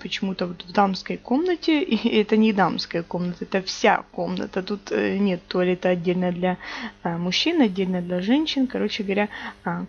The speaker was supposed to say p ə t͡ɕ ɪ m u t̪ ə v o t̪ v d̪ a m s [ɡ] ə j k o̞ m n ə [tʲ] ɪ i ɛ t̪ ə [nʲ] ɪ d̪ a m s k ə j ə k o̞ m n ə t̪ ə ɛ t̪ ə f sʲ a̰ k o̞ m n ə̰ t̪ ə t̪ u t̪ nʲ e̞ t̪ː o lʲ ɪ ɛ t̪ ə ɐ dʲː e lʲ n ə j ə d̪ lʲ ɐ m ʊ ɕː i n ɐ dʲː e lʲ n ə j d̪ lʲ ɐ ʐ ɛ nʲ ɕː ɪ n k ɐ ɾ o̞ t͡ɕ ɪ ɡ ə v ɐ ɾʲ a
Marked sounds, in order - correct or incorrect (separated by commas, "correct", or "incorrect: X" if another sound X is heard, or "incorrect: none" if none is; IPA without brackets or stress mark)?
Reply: incorrect: k, correct, correct